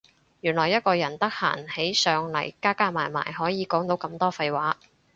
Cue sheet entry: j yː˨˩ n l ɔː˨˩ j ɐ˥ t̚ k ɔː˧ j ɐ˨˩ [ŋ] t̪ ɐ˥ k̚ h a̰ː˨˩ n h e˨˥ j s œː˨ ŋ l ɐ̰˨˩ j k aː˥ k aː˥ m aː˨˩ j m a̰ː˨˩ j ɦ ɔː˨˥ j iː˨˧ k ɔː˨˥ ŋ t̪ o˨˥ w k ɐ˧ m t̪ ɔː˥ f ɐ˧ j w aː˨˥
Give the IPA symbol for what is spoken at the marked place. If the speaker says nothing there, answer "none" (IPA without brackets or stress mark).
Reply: n